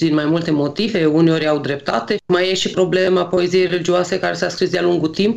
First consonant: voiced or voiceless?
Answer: voiced